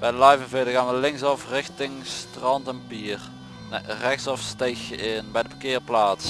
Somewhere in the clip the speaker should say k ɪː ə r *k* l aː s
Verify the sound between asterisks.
incorrect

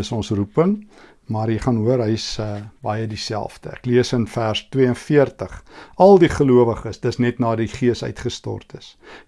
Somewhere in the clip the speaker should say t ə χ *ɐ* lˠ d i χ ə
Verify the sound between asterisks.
correct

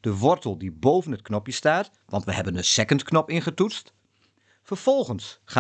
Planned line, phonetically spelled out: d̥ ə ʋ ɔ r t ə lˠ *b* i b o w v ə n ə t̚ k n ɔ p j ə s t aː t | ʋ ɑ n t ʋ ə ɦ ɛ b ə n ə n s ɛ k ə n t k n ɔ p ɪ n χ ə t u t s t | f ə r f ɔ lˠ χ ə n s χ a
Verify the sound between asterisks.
incorrect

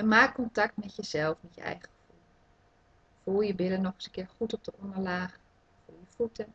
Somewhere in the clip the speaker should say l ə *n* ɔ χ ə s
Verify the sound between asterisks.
correct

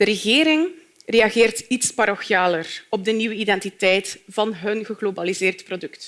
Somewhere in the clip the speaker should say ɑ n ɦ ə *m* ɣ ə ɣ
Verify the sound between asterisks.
incorrect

